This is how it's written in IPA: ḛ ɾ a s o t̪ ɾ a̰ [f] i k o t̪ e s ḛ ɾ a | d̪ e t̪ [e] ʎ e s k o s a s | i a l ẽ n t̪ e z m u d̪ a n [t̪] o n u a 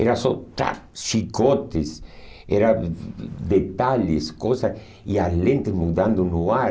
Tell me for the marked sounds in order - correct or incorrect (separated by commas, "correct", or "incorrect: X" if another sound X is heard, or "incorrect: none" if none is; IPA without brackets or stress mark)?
incorrect: ʃ, incorrect: a, incorrect: d̪